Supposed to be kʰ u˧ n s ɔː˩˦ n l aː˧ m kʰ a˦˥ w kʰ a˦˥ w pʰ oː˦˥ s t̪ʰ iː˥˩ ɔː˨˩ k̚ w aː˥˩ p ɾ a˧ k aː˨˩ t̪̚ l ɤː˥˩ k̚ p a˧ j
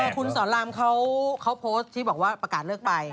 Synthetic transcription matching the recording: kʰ u˧ n s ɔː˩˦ n l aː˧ m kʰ a˦˥ w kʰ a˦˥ w pʰ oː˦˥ s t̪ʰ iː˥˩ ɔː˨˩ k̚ w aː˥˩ p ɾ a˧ k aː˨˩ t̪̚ l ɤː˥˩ k̚ p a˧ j